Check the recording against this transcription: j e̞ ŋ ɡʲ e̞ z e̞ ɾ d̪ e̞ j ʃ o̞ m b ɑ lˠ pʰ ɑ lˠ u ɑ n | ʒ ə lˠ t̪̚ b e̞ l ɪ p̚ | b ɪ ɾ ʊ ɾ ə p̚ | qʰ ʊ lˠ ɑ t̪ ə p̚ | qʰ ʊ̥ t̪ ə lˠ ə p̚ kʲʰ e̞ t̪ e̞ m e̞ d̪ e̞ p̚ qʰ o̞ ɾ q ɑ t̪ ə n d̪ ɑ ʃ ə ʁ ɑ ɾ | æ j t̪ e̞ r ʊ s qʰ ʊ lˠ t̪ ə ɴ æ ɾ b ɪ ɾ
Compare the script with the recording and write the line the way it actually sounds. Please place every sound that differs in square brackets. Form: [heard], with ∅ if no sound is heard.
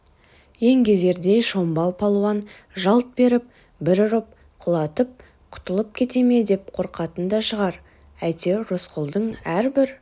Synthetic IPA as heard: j e̞ ŋ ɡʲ e̞ z e̞ ɾ d̪ e̞ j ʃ o̞ m b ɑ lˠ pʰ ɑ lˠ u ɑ n | ʒ [ɑ] lˠ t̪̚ b e̞ [ɾ] ɪ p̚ | b ɪ ɾ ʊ ɾ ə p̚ | qʰ ʊ lˠ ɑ t̪ ə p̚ | qʰ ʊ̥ t̪ ə lˠ ə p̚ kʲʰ e̞ t̪ e̞ m e̞ d̪ e̞ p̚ qʰ o̞ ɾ q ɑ t̪ ə n d̪ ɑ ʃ ə ʁ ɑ ɾ | æ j t̪ e̞ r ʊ s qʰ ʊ lˠ [d̪] ə ɴ æ ɾ b ɪ ɾ

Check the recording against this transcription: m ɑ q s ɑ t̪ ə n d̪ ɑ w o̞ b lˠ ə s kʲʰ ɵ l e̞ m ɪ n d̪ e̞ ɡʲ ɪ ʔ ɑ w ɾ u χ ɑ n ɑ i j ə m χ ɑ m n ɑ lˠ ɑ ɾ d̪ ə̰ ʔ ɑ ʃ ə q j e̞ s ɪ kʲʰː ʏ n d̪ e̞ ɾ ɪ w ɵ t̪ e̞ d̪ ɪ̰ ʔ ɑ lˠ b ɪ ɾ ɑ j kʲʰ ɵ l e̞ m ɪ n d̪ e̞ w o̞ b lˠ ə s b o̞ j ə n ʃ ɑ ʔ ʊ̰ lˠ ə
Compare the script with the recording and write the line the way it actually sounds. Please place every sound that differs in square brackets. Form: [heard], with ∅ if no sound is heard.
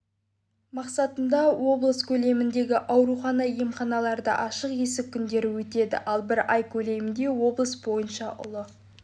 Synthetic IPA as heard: m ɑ q s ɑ t̪ ə n d̪ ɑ w o̞ b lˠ ə s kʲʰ ɵ l e̞ m ɪ n d̪ e̞ ɡʲ ɪ ʔ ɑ w ɾ u χ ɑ n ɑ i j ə m χ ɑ [∅] n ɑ lˠ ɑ ɾ d̪ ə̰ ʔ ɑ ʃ ə q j e̞ s ɪ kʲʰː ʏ n d̪ e̞ ɾ ɪ w ɵ t̪ e̞ d̪ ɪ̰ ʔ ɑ lˠ b ɪ ɾ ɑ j kʲʰ ɵ l e̞ m ɪ n d̪ e̞ w o̞ b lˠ ə s b o̞ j ə n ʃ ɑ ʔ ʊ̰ lˠ ə

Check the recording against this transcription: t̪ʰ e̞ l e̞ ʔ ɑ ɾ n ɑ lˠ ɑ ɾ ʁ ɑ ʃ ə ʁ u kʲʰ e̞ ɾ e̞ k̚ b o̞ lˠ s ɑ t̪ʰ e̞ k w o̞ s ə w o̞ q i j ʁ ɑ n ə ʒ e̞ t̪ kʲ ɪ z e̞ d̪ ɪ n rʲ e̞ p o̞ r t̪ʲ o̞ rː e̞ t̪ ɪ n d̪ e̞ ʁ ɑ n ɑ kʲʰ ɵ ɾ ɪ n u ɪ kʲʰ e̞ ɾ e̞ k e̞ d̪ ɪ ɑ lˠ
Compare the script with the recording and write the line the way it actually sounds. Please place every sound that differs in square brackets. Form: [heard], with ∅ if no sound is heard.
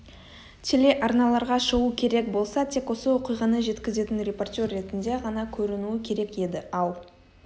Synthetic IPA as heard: t̪ʰ e̞ l e̞ ʔ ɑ ɾ n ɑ lˠ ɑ ɾ ʁ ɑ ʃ ə ʁ u kʲʰ e̞ ɾ e̞ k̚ b o̞ lˠ s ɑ t̪ʰ e̞ k w o̞ s ə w o̞ q i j ʁ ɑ n ə ʒ e̞ t̪ kʲ ɪ z e̞ [t̪] ɪ n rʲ e̞ p o̞ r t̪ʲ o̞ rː e̞ t̪ ɪ n d̪ e̞ ʁ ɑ n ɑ kʲʰ ɵ ɾ ɪ n u ɪ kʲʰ e̞ ɾ e̞ k e̞ d̪ ɪ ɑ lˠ

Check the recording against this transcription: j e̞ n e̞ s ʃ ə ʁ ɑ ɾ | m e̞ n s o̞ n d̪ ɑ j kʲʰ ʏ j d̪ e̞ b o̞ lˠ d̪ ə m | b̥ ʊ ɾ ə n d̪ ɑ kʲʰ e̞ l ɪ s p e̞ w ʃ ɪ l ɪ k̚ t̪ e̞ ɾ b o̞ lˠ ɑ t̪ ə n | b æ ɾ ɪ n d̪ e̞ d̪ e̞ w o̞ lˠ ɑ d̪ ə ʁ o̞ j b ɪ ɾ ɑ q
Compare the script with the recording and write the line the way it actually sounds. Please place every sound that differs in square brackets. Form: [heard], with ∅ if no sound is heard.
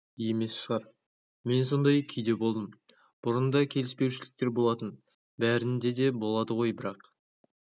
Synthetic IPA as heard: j e̞ [m] e̞ s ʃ ə ʁ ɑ ɾ | m e̞ n s o̞ n d̪ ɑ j kʲʰ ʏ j d̪ e̞ b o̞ lˠ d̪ ə m | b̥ ʊ ɾ ə n d̪ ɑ kʲʰ e̞ l ɪ s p e̞ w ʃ ɪ l ɪ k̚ t̪ e̞ ɾ b o̞ lˠ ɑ t̪ ə n | b æ ɾ ɪ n d̪ e̞ d̪ e̞ [b] o̞ lˠ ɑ d̪ ə ʁ o̞ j b ɪ ɾ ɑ q

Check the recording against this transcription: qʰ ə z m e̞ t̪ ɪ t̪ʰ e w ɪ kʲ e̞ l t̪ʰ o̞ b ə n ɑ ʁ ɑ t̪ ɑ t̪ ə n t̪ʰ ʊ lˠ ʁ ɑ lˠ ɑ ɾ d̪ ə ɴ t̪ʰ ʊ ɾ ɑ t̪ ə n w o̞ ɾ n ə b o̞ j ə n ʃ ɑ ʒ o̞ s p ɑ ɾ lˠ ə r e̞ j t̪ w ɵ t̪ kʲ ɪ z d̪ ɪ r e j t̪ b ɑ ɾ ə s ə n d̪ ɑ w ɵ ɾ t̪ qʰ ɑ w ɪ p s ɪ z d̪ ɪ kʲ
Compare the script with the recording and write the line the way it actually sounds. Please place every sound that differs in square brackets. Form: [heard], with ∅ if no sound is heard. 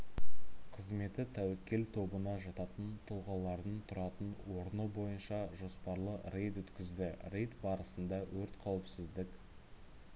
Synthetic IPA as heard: qʰ ə z m e̞ t̪ ɪ t̪ʰ [æ] w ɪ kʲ e̞ l t̪ʰ o̞ b ə n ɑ [ʒ] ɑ t̪ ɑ t̪ ə n t̪ʰ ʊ lˠ ʁ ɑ lˠ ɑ ɾ d̪ ə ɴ t̪ʰ ʊ ɾ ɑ t̪ ə n w o̞ ɾ n ə b o̞ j ə n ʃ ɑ ʒ o̞ s p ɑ ɾ lˠ ə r e̞ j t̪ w ɵ t̪ kʲ ɪ z d̪ ɪ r e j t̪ b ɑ ɾ ə s ə n d̪ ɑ w ɵ ɾ t̪ qʰ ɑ w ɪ p s ɪ z d̪ ɪ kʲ

